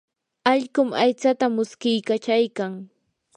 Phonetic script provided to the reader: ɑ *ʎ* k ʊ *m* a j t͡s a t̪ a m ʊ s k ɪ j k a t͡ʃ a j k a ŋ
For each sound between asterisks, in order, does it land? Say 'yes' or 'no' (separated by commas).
yes, yes